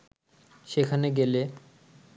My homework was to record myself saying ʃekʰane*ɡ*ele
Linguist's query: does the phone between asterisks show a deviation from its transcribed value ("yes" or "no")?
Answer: no